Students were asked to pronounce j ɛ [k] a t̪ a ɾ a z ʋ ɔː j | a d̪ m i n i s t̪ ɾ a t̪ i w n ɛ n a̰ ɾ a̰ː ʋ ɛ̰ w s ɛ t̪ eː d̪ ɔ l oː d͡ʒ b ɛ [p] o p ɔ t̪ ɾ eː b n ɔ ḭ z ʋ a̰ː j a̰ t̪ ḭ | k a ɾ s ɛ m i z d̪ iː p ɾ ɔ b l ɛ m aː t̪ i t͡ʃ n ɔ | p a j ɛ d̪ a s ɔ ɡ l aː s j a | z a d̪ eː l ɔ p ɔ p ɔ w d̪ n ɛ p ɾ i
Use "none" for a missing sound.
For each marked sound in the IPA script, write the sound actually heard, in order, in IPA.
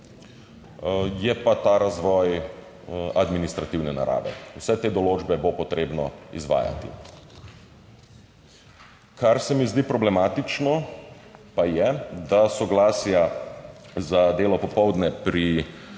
p, b

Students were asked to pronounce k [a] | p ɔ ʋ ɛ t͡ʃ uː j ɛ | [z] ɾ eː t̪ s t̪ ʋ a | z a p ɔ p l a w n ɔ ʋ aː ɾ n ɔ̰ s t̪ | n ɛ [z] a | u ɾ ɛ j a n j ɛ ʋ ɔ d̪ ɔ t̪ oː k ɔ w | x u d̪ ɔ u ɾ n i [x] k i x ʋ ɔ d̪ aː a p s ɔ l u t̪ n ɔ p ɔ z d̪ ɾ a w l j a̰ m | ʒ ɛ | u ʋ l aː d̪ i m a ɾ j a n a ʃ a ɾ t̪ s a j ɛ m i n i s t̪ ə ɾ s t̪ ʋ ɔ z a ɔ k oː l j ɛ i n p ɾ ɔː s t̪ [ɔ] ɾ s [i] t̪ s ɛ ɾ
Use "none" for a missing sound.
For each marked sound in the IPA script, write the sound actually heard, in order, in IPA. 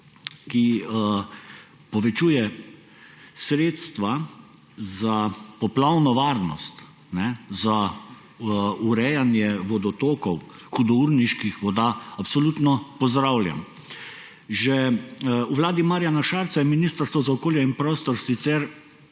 i, s, z, ʃ, ɔ, i

